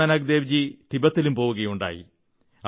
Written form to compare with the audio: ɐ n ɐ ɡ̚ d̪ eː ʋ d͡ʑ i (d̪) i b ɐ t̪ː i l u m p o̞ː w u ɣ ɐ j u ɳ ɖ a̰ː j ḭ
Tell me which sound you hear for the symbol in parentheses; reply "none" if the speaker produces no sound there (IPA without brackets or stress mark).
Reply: t̪